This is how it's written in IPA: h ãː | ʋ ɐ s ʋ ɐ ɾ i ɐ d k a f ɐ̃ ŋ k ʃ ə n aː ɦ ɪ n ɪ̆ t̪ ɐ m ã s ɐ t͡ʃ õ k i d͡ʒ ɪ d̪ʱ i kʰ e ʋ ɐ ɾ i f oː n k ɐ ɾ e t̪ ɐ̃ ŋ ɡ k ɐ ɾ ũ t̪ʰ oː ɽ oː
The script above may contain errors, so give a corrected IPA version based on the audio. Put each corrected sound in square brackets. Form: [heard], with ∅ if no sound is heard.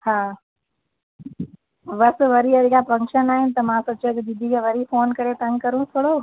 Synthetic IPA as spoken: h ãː | ʋ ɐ s ʋ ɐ ɾ i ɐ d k a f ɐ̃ ŋ k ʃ ə n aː ɦ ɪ n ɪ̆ t̪ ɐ m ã s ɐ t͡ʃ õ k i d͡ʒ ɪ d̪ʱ i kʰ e ʋ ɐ ɾ i f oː n k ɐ ɾ e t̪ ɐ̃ ŋ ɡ k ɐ ɾ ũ t̪ʰ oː ɽ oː